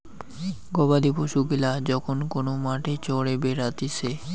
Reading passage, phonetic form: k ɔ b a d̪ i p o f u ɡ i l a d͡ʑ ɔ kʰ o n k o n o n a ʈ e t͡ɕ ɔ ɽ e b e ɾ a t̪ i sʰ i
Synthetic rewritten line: ɡ ɔ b a d̪ i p o ʃ u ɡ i l a d͡ʑ ɔ kʰ o n k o n o m a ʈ e t͡ɕ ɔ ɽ e b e ɾ a t̪ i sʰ e

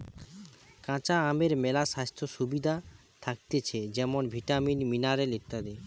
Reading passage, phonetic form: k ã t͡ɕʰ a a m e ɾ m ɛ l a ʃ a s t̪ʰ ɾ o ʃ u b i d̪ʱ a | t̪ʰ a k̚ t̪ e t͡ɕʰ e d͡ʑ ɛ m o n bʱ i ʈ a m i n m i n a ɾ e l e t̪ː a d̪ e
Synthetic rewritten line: k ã t͡ɕ a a m e ɾ m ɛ l a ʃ a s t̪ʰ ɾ o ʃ u b i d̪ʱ a | t̪ʰ a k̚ t̪ e t͡ɕʰ e d͡ʑ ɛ m o n bʱ i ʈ a m i n m i n a ɾ e l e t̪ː a d̪ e

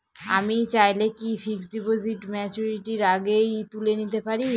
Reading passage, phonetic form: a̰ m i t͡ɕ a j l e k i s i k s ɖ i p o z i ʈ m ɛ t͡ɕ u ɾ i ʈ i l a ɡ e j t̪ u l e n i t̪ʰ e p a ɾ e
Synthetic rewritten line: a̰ m i t͡ɕ a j l e k i f i k s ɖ i p o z i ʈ m ɛ t͡ɕ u ɾ i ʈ i ɾ a ɡ e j t̪ u l e n i t̪ e p a ɾ i

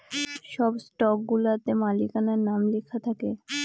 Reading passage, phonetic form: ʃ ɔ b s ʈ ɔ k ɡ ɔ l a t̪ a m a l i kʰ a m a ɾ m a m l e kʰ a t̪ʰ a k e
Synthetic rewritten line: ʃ ɔ b s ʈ ɔ k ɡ u l a t̪ e m a l i k a n a ɾ n a m l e kʰ a t̪ʰ a k e

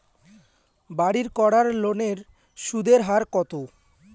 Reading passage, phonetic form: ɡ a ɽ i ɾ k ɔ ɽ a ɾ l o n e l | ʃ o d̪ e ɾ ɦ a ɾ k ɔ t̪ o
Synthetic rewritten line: b a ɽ i ɾ k ɔ ɽ a ɾ l o n e ɾ | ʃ u d̪ e ɾ ɦ a ɾ k ɔ t̪ o

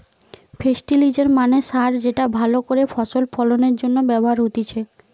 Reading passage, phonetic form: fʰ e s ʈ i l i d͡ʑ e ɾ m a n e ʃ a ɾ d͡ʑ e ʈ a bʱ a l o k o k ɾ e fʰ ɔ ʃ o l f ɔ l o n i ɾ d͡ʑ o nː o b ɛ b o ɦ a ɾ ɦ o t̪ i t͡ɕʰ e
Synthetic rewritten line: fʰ e s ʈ i l i d͡ʑ e ɾ m a n e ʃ a ɾ d͡ʑ e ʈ a bʱ a l o k o ɾ e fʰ ɔ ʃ o l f ɔ l o n e ɾ d͡ʑ o nː o b ɛ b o ɦ a ɾ ɦ o t̪ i t͡ɕʰ e

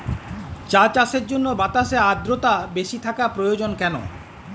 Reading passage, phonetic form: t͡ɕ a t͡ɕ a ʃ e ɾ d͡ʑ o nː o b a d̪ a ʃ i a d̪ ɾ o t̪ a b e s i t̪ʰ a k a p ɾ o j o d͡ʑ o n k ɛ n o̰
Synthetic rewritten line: t͡ɕ a t͡ɕ a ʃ e ɾ d͡ʑ o nː o b a t̪ a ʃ e a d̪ ɾ o t̪ a b e ʃ i t̪ʰ a k a p ɾ o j o d͡ʑ o n k ɛ n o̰

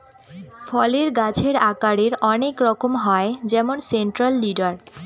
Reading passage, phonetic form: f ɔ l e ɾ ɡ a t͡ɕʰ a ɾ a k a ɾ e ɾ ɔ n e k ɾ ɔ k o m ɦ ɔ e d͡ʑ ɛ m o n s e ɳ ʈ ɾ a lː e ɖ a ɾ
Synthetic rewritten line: f ɔ l e ɾ ɡ a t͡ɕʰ e ɾ a k a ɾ e ɾ ɔ n e k ɾ ɔ k o m ɦ ɔ e d͡ʑ ɛ m o n s e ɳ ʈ ɾ a lː i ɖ a ɾ

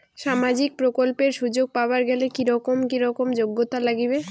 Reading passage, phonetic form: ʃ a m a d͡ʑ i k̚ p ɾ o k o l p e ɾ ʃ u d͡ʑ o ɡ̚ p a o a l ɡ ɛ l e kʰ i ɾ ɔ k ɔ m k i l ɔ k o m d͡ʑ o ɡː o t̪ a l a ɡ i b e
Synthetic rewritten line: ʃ a m a d͡ʑ i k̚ p ɾ o k o l p e ɾ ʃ u d͡ʑ o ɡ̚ p a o a ɾ ɡ ɛ l e k i ɾ ɔ k o m k i ɾ ɔ k o m d͡ʑ o ɡː o t̪ a l a ɡ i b e

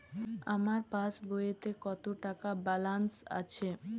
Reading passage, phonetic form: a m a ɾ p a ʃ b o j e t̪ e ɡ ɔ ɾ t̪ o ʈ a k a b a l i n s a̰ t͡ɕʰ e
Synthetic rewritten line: a m a ɾ p a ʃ b o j e t̪ e k ɔ t̪ o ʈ a k a b a l a n s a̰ t͡ɕʰ e

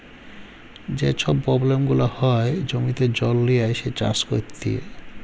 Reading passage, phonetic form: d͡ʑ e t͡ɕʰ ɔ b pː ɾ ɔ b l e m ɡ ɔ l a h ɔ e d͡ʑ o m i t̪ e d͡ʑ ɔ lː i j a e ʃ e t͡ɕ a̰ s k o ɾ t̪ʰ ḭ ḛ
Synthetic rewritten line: d͡ʑ e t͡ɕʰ ɔ b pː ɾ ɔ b l e m ɡ u l a h ɔ e d͡ʑ o m i t̪ e d͡ʑ ɔ lː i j a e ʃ e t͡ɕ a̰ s k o ɾ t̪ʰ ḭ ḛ

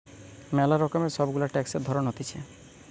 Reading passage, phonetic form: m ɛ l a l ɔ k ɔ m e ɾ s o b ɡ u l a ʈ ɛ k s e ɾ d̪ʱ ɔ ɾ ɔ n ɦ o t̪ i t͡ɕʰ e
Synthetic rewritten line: m ɛ l a ɾ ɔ k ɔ m e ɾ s ɔ b ɡ u l a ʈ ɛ k s e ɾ d̪ʱ ɔ ɾ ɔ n ɦ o t̪ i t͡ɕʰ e

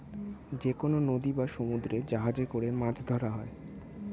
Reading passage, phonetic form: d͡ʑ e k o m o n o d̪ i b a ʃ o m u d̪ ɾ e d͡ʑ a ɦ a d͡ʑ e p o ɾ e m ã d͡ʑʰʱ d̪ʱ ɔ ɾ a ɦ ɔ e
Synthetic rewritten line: d͡ʑ e k o n o n o d̪ i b a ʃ o m u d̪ ɾ e d͡ʑ a ɦ a d͡ʑ e k o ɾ e m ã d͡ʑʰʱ d̪ʱ ɔ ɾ a ɦ ɔ e

